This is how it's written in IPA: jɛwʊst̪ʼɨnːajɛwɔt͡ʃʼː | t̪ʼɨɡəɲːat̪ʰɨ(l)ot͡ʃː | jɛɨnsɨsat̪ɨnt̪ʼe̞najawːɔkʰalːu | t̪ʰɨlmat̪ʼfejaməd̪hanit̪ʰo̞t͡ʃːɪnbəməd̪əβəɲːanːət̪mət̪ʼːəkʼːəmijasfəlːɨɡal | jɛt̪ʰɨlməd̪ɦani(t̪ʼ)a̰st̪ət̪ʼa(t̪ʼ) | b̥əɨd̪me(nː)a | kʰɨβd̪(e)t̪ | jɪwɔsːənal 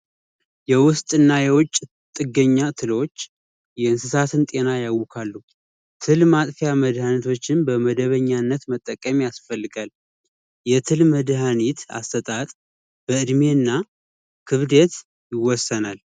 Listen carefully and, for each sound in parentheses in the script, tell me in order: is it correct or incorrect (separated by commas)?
correct, incorrect, correct, correct, correct